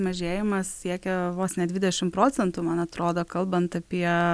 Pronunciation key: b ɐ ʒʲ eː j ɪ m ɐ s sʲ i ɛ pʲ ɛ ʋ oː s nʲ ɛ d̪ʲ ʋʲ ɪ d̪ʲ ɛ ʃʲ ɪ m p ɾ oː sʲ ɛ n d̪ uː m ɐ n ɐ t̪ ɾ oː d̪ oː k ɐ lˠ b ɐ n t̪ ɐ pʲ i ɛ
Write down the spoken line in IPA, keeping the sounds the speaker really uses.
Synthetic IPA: m ɐ ʒʲ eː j ɪ m ɐ s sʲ i ɛ kʲ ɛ ʋ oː s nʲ ɛ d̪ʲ ʋʲ ɪ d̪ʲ ɛ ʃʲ ɪ m p ɾ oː t͡sʲ ɛ n t̪ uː m ɐ n ɐ t̪ ɾ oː d̪ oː k ɐ lˠ b ɐ n t̪ ɐ pʲ i ɛ

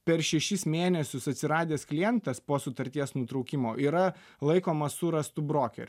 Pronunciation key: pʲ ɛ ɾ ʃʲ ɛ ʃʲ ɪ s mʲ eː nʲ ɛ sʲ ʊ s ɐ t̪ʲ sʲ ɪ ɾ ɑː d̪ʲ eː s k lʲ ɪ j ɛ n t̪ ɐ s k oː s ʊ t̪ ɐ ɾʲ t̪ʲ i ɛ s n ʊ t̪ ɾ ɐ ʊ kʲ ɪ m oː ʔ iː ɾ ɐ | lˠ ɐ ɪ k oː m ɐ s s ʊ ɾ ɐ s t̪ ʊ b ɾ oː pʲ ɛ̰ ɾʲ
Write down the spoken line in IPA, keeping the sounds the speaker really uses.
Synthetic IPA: pʲ ɛ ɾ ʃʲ ɛ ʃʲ ɪ s mʲ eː nʲ ɛ sʲ ʊ s ɐ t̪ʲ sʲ ɪ ɾ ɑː d̪ʲ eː s k lʲ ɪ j ɛ n t̪ ɐ s p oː s ʊ t̪ ɐ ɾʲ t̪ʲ i ɛ s n ʊ t̪ ɾ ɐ ʊ kʲ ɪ m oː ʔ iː ɾ ɐ | lˠ ɐ ɪ k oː m ɐ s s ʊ ɾ ɐ s t̪ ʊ b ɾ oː kʲ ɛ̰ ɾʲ

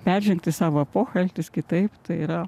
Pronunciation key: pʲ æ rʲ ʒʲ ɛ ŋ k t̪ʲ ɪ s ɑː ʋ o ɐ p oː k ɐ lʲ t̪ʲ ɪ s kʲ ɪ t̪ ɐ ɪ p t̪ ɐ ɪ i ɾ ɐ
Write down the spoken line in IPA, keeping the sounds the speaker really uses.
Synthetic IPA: pʲ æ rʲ ʒʲ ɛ ŋ k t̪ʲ ɪ s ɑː ʋ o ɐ p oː x ɐ lʲ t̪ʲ ɪ s kʲ ɪ t̪ ɐ ɪ p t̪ ɐ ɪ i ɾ ɐ

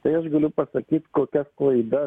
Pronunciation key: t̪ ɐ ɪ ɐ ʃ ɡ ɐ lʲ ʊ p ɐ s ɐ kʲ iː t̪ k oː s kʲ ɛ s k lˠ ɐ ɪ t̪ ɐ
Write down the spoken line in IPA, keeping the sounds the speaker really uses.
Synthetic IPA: t̪ ɐ ɪ ɐ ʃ ɡ ɐ lʲ ʊ p ɐ s ɐ kʲ iː t̪ k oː kʲ ɛ s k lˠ ɐ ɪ d̪ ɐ

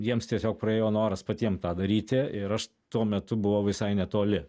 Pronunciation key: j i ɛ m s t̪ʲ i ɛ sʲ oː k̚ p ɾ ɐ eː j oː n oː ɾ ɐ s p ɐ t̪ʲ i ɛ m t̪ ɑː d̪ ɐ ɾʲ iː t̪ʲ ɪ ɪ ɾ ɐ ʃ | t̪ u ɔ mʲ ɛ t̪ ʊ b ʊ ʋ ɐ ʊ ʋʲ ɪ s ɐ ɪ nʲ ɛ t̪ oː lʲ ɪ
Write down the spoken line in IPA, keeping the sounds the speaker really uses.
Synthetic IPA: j i ɛ m s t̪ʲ i ɛ sʲ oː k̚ p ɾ ɐ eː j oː n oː ɾ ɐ s p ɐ t̪ʲ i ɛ m t̪ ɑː d̪ ɐ ɾʲ iː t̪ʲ ɪ ɪ ɾ ɐ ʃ | t̪ u ɔ mʲ ɛ t̪ ʊ b ʊ ʋ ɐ ʊ ʋʲ ɪ s ɐ ɪ nʲ ɛ t̪ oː lʲ ɪ

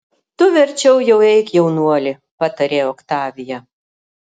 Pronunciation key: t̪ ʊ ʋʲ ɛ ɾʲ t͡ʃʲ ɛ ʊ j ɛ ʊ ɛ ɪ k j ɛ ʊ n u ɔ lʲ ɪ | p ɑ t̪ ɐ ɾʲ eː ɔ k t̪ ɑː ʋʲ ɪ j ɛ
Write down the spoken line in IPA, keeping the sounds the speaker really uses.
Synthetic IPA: t̪ ʊ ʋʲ ɛ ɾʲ t͡ʃʲ ɛ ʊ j ɛ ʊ ɛ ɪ k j ɛ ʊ n u ɔ lʲ ɪ | p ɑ t̪ ɐ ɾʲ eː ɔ k t̪ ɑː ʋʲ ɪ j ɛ

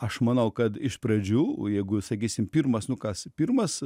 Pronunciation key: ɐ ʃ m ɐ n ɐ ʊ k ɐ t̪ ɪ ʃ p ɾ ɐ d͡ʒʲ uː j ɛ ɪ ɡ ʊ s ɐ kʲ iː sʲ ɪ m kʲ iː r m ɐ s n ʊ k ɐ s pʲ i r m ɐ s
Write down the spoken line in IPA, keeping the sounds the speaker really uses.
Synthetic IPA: ɐ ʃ m ɐ n ɐ ʊ k ɐ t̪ ɪ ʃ p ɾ ɐ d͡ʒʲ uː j ɛ ɪ ɡ ʊ s ɐ kʲ iː sʲ ɪ m pʲ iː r m ɐ s n ʊ k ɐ s pʲ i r m ɐ s

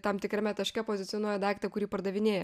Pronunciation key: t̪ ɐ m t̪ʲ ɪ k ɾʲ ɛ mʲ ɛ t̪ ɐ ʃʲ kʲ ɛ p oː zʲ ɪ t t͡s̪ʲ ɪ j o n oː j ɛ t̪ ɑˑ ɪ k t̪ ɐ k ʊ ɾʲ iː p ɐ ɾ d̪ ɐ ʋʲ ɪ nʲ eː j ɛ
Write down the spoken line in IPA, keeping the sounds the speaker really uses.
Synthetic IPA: t̪ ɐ m t̪ʲ ɪ k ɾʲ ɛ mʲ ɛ t̪ ɐ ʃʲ kʲ ɛ p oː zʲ ɪ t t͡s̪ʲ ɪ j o n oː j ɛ d̪ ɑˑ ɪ k t̪ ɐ k ʊ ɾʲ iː p ɐ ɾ d̪ ɐ ʋʲ ɪ nʲ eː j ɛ

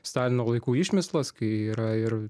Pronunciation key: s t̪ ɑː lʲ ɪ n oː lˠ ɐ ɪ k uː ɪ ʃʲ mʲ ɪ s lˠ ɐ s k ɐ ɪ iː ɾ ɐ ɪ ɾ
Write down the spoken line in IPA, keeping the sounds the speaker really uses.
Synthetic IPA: s t̪ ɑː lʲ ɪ n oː lˠ ɐ ɪ k uː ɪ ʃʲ mʲ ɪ s lˠ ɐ s k ɐ ɪ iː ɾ ɐ ɪ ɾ

